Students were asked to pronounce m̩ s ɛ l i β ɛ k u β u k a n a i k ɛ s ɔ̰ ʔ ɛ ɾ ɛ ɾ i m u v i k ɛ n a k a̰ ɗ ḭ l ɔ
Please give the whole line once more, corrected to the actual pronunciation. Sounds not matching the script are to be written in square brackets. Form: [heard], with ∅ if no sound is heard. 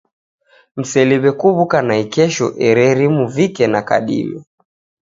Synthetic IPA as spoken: m̩ s ɛ l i β ɛ k u β u k a n a i k ɛ [ʃ] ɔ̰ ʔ ɛ ɾ ɛ ɾ i m u v i k ɛ n a k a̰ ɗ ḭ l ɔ